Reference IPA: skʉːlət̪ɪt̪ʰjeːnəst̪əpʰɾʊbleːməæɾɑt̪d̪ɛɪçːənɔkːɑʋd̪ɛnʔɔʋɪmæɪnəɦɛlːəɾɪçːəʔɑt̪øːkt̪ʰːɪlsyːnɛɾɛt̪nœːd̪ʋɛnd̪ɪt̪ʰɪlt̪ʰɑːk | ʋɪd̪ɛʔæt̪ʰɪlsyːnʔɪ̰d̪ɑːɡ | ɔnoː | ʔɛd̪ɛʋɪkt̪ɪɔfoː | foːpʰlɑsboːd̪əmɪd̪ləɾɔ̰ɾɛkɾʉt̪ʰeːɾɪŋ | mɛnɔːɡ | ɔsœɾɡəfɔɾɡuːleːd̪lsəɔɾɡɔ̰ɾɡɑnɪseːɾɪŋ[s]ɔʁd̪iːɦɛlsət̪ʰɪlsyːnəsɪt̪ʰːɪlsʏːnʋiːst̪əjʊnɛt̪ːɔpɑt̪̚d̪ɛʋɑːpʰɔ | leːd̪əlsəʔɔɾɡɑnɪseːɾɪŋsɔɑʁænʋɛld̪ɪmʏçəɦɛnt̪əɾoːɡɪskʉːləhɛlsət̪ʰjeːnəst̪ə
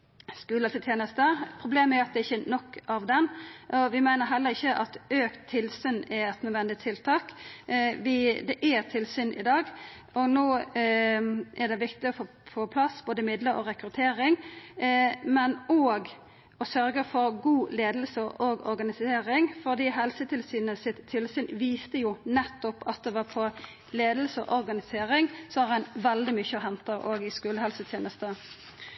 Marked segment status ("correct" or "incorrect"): incorrect